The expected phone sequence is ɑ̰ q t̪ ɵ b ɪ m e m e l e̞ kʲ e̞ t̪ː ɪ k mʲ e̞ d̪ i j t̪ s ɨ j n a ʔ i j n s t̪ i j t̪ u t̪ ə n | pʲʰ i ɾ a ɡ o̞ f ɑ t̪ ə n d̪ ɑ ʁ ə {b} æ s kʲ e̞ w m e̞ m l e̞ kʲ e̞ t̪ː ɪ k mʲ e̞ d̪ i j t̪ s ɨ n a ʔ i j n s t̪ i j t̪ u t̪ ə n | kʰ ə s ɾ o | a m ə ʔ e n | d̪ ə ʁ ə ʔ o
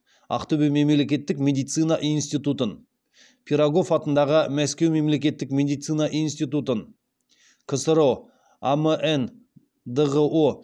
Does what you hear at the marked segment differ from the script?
yes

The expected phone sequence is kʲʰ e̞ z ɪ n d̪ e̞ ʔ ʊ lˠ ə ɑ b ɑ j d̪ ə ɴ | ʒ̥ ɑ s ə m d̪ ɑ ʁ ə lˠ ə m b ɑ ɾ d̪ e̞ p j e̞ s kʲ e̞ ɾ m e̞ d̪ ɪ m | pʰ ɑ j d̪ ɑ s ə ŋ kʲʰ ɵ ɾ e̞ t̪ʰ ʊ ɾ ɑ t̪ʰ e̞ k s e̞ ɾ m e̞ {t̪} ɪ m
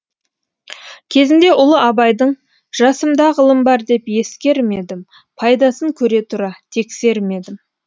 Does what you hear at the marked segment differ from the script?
yes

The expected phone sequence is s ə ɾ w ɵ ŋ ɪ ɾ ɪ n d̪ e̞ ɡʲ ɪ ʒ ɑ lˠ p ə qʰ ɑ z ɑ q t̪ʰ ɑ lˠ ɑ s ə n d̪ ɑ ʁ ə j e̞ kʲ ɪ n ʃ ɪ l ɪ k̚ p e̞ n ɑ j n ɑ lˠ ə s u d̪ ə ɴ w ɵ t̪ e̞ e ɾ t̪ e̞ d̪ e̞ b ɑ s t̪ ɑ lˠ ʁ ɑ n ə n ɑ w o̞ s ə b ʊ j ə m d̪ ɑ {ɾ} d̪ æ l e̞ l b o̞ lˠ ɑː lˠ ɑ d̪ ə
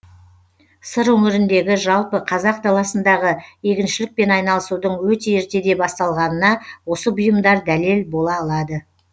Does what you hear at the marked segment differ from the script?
no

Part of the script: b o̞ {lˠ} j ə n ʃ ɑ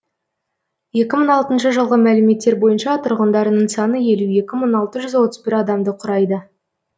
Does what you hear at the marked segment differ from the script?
yes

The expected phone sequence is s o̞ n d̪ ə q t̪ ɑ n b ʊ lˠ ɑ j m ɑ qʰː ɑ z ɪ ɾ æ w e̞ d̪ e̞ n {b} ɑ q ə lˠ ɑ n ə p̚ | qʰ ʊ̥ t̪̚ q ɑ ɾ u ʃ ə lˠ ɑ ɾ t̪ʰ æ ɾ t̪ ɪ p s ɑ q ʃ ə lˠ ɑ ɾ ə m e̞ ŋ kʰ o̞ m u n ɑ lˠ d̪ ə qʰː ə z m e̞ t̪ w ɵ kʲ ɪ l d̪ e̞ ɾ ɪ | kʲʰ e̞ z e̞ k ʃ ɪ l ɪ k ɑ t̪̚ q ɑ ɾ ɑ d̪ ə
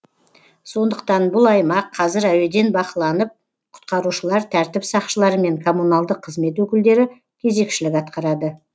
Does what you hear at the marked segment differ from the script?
no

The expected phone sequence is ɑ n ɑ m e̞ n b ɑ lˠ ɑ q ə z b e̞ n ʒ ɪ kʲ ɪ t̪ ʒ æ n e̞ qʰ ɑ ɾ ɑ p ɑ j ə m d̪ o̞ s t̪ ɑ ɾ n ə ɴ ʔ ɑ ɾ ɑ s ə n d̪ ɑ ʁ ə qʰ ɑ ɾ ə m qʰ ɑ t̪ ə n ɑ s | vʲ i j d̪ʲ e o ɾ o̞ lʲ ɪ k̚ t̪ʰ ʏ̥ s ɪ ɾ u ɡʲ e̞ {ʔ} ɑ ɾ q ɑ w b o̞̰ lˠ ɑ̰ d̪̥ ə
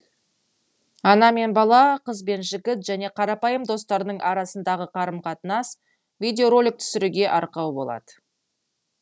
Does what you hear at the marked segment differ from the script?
no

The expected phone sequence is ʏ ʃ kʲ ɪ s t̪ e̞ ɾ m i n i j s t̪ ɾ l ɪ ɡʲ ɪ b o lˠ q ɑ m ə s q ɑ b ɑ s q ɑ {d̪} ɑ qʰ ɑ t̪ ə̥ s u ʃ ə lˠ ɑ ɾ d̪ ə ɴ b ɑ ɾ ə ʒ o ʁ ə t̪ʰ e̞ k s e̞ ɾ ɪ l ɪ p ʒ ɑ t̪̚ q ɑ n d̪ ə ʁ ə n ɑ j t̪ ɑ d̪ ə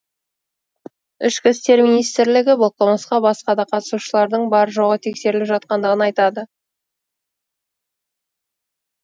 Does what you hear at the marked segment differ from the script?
no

